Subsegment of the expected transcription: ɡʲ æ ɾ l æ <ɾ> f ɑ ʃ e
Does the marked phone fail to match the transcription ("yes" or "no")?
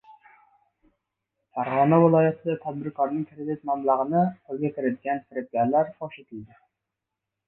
no